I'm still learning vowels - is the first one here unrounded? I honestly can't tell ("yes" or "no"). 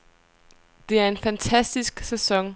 yes